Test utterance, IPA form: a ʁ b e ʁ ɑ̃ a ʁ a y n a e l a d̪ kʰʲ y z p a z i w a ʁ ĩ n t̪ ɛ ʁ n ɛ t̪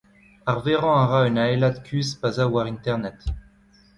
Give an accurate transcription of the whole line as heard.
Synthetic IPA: a ʁ v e ʁ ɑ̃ a ʁ a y n a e l a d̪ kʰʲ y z p a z a w a ʁ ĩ n t̪ ɛ ʁ n ɛ t̪